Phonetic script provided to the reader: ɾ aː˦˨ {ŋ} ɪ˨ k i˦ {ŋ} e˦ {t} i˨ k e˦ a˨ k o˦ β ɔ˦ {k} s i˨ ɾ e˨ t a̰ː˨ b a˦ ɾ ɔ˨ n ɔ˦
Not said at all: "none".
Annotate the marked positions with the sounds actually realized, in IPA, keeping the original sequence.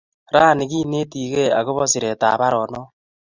n, n, t, none

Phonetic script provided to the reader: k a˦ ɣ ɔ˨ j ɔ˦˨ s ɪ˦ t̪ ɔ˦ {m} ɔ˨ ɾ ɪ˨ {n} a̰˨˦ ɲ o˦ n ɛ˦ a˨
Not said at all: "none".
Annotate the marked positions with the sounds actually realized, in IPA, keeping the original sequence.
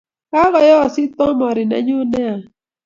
m, n

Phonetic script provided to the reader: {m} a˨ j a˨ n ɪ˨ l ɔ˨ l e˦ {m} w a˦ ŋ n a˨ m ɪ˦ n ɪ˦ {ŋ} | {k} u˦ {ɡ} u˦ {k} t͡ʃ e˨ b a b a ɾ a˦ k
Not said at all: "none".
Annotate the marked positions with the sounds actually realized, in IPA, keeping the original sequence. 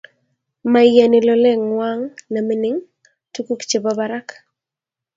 m, ŋ, ŋ, t, k, k

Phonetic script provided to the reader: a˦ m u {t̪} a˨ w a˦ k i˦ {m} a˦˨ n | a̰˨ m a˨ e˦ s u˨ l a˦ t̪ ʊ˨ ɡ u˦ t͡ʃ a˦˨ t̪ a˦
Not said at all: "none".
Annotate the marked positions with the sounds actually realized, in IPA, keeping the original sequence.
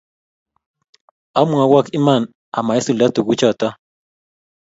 none, m

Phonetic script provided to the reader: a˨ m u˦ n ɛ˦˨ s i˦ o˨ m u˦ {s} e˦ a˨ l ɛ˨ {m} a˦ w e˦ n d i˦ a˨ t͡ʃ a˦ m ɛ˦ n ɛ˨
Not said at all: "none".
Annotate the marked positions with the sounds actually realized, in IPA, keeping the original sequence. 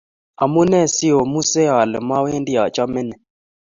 s, m

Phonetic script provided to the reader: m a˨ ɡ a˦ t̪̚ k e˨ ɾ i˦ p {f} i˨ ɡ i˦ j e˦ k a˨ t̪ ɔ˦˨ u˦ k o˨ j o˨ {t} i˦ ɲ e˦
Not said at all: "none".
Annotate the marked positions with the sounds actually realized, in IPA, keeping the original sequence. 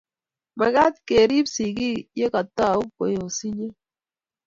s, s

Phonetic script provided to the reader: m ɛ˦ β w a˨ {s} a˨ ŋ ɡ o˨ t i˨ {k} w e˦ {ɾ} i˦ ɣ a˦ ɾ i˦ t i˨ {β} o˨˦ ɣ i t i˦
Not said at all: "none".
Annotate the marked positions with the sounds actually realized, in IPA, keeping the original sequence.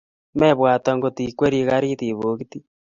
t, k, ɾ, β

